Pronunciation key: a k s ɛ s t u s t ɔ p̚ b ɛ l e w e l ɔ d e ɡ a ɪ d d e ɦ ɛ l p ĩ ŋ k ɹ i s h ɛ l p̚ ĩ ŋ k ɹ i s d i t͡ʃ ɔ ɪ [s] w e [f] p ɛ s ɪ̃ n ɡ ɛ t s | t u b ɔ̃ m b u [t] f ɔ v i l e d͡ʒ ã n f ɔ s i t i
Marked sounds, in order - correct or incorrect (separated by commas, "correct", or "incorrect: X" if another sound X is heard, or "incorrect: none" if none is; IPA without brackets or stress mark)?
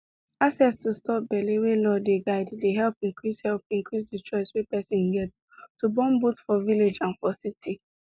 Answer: correct, incorrect: none, correct